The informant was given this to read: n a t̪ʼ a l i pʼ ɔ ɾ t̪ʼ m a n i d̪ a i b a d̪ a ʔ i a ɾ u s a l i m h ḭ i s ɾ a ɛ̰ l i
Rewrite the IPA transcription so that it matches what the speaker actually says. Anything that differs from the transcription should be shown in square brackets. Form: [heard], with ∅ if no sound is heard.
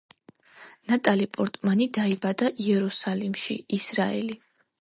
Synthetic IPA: n a t̪ʼ a l i pʼ ɔ ɾ t̪ʼ m a n i d̪ a i b a d̪ a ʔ i [ɛ] ɾ u s a l i m [ʃ] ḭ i s ɾ a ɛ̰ l i